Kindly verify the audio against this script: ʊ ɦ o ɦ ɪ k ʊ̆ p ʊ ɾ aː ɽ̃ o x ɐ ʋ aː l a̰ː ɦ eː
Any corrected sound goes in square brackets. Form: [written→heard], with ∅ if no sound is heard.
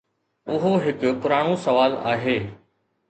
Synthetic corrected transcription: ʊ ɦ o ɦ ɪ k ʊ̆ p ʊ ɾ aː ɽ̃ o [x→s] ɐ ʋ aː l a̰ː ɦ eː